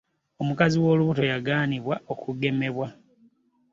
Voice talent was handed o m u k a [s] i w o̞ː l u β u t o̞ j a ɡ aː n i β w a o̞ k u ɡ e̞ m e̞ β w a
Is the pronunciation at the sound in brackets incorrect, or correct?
incorrect